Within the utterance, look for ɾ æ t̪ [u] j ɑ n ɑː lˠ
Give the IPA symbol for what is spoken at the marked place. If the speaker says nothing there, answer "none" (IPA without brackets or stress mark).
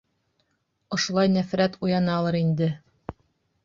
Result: u